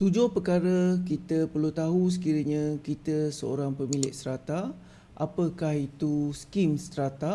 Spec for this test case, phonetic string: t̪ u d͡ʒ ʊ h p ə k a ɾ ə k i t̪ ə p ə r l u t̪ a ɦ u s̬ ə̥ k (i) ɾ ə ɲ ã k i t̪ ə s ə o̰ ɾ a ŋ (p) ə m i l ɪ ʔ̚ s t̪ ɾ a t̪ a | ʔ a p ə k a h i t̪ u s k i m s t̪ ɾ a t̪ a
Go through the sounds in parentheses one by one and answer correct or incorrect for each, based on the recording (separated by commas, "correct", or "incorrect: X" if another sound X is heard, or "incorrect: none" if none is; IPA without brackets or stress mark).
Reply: correct, correct